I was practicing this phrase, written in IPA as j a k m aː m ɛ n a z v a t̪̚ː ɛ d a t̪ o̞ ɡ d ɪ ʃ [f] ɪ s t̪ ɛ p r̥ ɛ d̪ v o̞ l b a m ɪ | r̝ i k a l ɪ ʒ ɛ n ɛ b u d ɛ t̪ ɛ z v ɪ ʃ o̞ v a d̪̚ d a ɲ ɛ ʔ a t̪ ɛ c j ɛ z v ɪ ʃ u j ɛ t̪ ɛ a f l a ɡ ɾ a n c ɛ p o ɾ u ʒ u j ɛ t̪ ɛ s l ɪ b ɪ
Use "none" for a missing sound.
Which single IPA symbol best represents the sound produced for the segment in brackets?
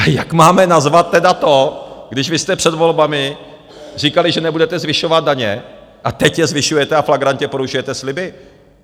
v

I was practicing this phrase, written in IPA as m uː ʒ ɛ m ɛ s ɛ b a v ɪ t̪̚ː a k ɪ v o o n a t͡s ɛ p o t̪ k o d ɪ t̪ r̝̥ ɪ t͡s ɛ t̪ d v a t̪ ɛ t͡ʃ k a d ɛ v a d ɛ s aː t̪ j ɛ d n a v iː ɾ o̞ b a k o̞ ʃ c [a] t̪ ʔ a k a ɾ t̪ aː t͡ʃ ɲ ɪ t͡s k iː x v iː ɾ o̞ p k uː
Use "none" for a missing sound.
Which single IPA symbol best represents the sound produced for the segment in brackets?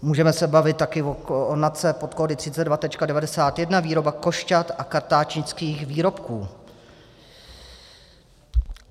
a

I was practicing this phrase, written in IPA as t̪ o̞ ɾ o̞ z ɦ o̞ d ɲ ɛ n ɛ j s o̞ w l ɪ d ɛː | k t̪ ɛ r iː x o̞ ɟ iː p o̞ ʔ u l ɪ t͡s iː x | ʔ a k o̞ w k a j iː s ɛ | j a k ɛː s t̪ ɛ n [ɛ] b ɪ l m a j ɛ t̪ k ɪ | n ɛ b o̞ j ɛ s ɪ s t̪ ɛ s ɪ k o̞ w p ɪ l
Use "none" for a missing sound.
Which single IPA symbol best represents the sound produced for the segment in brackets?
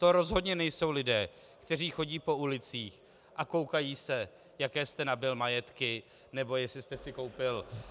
a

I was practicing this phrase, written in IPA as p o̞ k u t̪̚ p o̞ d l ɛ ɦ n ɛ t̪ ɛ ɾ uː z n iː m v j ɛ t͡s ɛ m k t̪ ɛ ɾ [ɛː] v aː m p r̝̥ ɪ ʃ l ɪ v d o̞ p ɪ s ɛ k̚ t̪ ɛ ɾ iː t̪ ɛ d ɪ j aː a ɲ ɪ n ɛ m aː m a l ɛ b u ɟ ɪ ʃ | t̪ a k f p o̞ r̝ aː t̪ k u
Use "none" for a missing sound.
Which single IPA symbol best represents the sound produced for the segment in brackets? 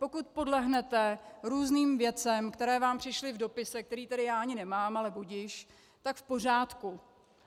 ɛː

